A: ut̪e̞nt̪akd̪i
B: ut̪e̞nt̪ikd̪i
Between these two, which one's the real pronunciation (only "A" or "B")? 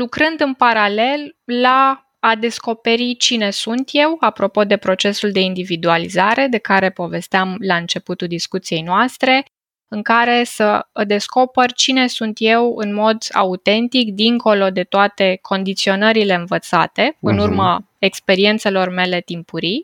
B